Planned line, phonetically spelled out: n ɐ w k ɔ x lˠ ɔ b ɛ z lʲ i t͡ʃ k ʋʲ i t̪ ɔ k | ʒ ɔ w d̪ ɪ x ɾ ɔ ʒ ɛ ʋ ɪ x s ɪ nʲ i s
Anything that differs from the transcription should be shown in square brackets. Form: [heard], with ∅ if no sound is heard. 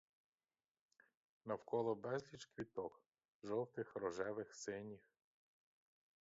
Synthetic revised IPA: n ɐ w k ɔ [∅] lˠ ɔ b ɛ z lʲ i t͡ʃ k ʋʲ i t̪ ɔ k | ʒ ɔ w [t̪] ɪ x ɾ ɔ ʒ ɛ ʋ ɪ x s ɪ nʲ i [x]